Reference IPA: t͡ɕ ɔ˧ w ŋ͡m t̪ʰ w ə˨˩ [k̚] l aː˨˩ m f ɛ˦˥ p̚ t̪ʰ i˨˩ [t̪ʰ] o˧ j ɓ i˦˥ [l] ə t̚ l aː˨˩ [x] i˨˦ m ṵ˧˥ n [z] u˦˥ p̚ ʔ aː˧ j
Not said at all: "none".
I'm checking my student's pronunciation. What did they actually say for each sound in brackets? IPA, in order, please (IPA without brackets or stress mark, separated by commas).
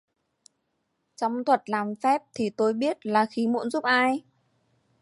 t̚, t̪, none, x, z